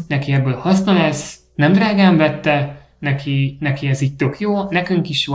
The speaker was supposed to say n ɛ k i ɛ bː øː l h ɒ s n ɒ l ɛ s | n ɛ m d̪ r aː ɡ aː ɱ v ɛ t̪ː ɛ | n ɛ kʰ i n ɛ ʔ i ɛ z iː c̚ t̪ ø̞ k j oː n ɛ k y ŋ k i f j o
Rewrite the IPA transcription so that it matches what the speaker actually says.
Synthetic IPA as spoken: n ɛ k i ɛ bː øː l h ɒ s n ɒ l ɛ s | n ɛ m d̪ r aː ɡ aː ɱ v ɛ t̪ː ɛ | n ɛ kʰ i n ɛ k i ɛ z iː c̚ t̪ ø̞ k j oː n ɛ k y ŋ k i ʃ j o